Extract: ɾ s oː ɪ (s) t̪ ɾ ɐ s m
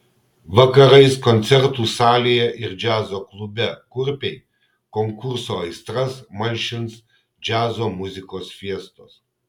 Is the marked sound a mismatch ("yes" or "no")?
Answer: no